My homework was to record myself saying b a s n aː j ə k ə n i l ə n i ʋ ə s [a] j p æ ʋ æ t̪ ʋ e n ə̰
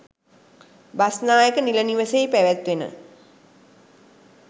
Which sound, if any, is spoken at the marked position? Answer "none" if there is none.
e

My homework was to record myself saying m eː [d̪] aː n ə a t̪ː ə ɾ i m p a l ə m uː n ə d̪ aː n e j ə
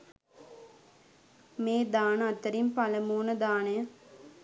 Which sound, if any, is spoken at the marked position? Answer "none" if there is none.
d̪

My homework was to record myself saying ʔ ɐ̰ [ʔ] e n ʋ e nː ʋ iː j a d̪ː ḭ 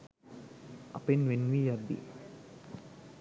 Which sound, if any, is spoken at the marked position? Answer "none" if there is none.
p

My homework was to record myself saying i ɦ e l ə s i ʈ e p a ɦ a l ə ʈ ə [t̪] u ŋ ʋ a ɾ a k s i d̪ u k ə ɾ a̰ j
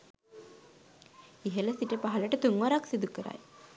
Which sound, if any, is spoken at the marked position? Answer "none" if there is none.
t̪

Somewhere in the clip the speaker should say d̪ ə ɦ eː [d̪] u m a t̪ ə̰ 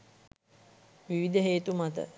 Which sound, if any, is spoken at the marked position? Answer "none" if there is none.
t̪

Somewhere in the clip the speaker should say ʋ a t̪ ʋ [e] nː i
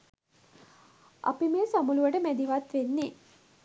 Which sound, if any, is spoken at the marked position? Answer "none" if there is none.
e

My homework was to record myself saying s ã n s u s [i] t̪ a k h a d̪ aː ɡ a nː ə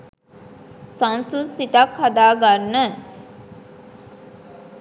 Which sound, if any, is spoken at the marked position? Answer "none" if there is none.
i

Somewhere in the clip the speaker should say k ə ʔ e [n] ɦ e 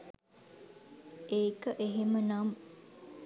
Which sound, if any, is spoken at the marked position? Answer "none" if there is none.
none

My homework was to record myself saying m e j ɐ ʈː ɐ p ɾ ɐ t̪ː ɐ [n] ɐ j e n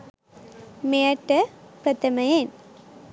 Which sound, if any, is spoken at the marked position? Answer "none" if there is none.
m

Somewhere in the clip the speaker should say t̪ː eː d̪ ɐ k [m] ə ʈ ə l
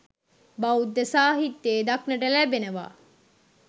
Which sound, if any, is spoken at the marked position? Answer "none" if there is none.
n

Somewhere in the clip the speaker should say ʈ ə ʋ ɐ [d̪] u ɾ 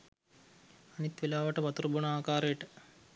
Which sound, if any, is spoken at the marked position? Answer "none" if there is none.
t̪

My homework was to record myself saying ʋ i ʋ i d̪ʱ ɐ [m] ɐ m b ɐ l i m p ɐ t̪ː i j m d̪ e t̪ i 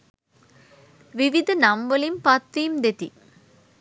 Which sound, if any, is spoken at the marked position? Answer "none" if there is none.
n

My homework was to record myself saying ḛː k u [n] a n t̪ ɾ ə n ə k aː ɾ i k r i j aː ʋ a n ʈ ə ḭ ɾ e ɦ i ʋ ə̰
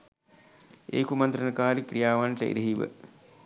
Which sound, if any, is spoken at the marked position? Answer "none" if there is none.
m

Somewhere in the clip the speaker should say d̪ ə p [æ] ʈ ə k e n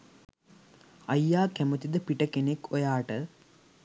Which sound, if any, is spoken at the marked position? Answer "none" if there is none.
i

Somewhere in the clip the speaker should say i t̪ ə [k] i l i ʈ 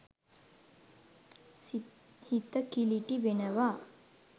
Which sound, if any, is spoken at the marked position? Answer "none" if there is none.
k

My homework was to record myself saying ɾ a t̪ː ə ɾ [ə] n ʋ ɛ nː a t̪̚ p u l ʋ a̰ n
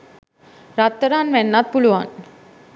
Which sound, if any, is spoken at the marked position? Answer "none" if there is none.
a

